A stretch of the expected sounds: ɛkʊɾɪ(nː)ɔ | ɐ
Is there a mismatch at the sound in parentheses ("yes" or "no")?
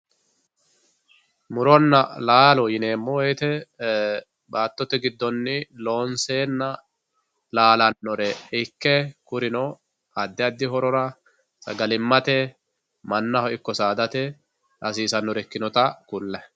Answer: yes